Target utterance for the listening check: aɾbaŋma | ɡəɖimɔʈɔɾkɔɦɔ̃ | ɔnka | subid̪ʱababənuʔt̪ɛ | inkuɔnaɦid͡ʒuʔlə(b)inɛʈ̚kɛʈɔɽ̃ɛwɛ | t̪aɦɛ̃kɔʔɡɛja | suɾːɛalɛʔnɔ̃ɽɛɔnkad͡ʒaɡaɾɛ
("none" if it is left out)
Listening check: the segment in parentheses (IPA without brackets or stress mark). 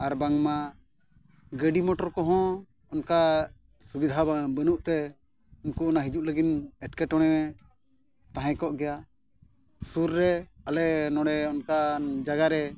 ɡ